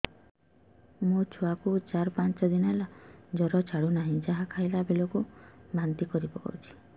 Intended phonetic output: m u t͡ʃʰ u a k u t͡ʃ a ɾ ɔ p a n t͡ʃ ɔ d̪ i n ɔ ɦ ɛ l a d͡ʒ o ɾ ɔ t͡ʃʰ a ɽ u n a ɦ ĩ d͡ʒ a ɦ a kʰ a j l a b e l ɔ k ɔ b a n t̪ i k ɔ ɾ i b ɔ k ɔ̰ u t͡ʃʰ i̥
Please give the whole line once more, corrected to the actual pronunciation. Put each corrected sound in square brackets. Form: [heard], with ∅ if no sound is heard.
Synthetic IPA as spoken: m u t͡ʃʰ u a k u t͡ʃ a ɾ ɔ p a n t͡ʃ ɔ d̪ i n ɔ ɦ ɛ l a d͡ʒ [ɔ] ɾ ɔ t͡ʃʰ a ɽ u n a ɦ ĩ d͡ʒ a ɦ a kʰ a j l a b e l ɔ k [u] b a n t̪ i k ɔ ɾ i b ɔ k ɔ̰ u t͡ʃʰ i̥

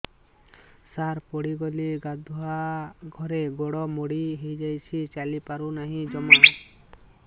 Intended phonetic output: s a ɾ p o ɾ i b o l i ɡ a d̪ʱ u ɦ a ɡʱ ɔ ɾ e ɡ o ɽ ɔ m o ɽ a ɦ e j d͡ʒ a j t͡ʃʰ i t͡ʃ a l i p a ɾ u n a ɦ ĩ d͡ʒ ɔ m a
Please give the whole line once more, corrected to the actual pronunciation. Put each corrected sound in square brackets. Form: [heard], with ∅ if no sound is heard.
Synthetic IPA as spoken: s a ɾ p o [ɽ] i [ɡ] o l i ɡ a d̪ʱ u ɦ a ɡʱ ɔ ɾ e ɡ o ɽ ɔ m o ɽ [i] ɦ e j d͡ʒ a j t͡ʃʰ i t͡ʃ a l i p a ɾ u n a ɦ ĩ d͡ʒ ɔ m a

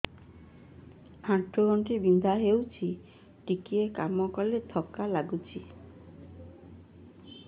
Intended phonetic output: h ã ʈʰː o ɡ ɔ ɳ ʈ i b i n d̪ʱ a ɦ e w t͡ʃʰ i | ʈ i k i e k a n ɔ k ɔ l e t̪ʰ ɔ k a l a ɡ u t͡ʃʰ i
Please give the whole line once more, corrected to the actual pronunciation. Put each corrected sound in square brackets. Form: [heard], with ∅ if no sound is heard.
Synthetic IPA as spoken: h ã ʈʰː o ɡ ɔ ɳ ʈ i b i n d̪ʱ a ɦ e w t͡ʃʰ i | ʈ i k i e k a [m] ɔ k ɔ l e t̪ʰ ɔ k a l a ɡ u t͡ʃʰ i

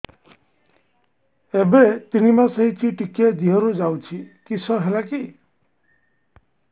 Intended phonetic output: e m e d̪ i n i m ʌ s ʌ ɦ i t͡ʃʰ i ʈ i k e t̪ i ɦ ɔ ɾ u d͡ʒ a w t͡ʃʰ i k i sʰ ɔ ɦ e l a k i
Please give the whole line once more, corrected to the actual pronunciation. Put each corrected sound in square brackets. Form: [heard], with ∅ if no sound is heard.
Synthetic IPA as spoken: e [b] e [t̪] i n i m [a] s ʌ ɦ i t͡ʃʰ i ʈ i k e [d̪] i ɦ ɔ ɾ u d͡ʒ a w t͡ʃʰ i k i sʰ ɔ ɦ e l a k i

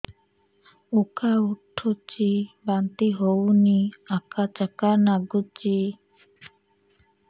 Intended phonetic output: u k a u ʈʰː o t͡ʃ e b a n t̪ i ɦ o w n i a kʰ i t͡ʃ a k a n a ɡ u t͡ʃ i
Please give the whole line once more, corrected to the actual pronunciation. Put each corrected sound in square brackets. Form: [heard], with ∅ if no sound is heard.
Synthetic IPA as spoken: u k a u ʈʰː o t͡ʃ [i] b a n t̪ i ɦ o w n i a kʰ [a] t͡ʃ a k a n a ɡ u t͡ʃ i

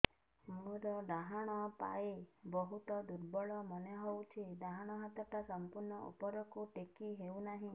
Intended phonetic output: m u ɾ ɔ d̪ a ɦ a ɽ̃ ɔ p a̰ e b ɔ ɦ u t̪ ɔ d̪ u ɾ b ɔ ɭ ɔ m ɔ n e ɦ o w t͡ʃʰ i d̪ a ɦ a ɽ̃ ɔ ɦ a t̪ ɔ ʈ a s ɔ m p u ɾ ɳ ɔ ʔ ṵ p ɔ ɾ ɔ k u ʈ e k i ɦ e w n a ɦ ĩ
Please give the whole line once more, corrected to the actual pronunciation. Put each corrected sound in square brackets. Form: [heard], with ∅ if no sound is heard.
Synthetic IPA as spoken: m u ɾ ɔ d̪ a ɦ a ɽ̃ ɔ p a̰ e b ɔ ɦ u t̪ ɔ d̪ u ɾ b ɔ ɭ ɔ m ɔ n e ɦ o w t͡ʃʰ i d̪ a ɦ a ɽ̃ ɔ ɦ a t̪ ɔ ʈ a s ɔ m p u ɾ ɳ ɔ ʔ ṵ p ɔ ɾ ɔ k u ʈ e k i ɦ e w n a ɦ ĩ

